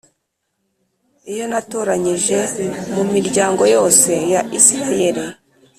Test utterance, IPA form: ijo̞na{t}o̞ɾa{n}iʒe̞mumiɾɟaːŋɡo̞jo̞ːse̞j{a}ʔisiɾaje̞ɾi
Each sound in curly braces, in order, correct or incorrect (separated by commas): correct, incorrect, correct